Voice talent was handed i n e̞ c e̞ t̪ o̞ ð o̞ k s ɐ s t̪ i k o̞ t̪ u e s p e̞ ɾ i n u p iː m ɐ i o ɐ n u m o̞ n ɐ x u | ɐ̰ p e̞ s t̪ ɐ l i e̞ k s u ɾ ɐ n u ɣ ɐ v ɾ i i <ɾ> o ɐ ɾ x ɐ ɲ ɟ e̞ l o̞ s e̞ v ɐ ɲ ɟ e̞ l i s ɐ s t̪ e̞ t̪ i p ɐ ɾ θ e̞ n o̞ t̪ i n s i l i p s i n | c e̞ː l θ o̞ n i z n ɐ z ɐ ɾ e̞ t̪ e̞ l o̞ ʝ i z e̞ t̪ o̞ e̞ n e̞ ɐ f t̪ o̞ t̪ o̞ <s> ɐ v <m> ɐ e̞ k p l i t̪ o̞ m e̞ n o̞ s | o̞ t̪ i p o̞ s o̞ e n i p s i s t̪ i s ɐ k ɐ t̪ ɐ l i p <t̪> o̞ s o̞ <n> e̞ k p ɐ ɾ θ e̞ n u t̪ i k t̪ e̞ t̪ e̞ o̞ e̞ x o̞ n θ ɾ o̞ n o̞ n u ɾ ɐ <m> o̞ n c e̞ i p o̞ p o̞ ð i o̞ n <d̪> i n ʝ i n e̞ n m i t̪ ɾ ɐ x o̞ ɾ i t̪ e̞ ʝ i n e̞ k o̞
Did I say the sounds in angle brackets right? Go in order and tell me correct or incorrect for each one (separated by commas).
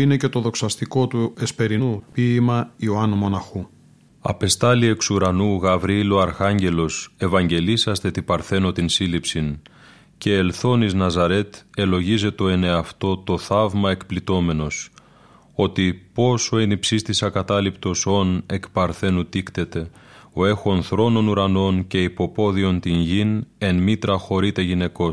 incorrect, incorrect, correct, correct, correct, incorrect, incorrect